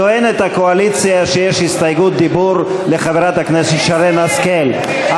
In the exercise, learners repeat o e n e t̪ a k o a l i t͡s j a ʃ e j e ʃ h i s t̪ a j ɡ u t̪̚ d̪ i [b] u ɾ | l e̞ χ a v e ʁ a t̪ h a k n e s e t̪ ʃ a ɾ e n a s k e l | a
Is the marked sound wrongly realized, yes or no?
no